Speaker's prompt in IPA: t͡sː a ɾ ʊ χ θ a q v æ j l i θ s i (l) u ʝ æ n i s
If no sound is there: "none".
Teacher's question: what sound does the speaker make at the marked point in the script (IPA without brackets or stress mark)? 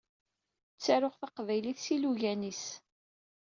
l